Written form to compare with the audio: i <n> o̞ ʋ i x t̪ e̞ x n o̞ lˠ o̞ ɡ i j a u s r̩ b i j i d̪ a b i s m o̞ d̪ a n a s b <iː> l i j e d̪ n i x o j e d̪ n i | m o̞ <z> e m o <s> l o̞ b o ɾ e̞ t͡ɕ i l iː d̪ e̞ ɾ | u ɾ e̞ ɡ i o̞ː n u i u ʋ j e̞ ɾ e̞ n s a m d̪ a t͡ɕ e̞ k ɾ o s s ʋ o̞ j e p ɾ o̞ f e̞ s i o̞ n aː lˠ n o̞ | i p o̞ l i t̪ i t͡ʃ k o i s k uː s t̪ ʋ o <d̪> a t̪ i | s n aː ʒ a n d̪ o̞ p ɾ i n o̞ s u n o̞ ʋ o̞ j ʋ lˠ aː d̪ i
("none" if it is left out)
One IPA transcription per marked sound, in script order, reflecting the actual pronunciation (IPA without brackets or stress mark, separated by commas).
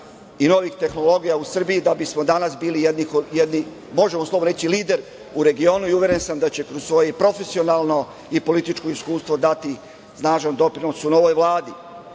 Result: n, iː, ʒ, s, d̪